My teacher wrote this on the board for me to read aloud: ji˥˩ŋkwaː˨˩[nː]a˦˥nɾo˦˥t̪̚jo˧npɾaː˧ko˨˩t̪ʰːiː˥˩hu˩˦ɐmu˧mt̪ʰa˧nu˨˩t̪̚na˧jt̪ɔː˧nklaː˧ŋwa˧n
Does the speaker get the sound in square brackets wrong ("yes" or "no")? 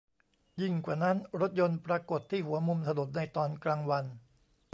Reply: yes